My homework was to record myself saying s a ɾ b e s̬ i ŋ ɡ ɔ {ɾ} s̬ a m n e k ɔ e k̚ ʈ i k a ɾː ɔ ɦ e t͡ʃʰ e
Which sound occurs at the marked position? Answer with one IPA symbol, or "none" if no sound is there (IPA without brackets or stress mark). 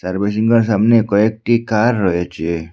ɾ